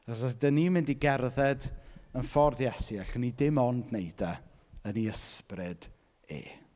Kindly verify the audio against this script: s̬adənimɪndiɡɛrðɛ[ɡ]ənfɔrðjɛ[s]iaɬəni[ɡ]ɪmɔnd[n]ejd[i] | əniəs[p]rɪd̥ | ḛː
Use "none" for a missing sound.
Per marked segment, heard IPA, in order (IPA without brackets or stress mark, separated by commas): d, s, d, n, a, p